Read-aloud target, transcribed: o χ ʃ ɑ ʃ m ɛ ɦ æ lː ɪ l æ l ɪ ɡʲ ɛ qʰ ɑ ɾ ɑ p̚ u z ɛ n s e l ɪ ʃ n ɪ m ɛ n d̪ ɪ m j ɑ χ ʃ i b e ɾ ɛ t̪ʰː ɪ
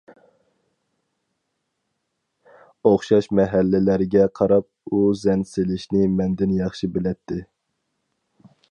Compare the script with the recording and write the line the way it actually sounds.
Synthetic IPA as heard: o χ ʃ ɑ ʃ m ɛ ɦ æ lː ɪ l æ ɾ ɪ ɡʲ ɛ qʰ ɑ ɾ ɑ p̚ u z ɛ n s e l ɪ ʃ n ɪ m ɛ n d̪ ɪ n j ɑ χ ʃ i b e l ɛ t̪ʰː ɪ